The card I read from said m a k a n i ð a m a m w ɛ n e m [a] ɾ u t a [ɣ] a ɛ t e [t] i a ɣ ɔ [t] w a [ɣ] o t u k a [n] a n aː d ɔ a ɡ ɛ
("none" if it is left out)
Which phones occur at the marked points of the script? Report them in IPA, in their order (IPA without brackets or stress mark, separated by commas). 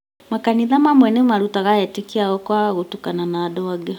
a, ɣ, k, k, ɣ, n